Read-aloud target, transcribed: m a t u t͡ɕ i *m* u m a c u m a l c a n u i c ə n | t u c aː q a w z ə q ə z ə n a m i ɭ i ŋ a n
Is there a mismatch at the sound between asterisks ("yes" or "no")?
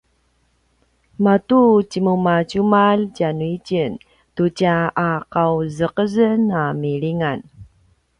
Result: no